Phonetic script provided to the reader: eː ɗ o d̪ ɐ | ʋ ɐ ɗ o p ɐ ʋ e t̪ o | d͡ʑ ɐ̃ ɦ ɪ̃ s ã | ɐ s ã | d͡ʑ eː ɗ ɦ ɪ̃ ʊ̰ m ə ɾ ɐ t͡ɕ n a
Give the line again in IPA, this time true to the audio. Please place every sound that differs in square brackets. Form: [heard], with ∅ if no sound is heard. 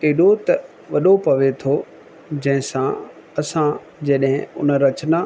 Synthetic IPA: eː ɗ o [t̪] ɐ | ʋ ɐ ɗ o p ɐ ʋ e [t̪ʰ] o | d͡ʑ ɐ̃ ɦ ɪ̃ s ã | ɐ s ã | d͡ʑ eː ɗ ɦ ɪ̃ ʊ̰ [n] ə ɾ ɐ t͡ɕ n a